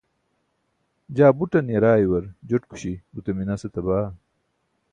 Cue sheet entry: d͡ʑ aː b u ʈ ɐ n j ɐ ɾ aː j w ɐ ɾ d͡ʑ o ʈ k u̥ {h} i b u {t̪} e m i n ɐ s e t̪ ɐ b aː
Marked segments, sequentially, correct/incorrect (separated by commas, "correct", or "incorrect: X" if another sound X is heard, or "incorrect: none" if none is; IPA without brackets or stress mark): incorrect: ɕ, correct